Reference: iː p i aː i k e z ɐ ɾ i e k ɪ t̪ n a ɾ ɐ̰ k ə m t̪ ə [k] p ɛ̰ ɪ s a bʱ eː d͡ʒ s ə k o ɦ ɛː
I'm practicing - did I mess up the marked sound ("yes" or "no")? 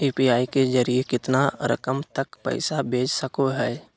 no